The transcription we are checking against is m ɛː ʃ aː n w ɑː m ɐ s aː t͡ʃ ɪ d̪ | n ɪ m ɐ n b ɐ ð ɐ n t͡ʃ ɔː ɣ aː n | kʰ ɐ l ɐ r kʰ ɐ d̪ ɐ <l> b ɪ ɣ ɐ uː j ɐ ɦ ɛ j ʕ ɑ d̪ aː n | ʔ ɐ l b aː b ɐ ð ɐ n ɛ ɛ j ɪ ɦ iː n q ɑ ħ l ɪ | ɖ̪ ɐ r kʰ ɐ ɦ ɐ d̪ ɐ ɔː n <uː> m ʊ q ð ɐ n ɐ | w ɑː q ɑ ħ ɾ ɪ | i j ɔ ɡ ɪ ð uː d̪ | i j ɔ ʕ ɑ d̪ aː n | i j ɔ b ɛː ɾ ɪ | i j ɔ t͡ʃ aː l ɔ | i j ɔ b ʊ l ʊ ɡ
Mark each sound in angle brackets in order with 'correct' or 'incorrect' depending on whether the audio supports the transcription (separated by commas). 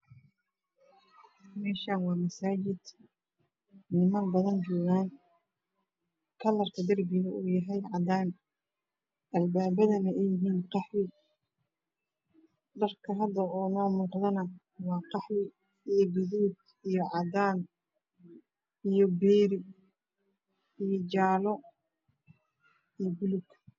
incorrect, incorrect